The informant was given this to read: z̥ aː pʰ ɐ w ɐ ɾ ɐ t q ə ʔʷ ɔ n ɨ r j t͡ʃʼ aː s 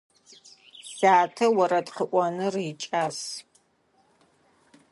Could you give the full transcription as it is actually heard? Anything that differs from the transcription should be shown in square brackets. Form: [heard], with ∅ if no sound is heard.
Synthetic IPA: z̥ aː [tʰ] ɐ w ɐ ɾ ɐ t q ə ʔʷ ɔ n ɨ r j t͡ʃʼ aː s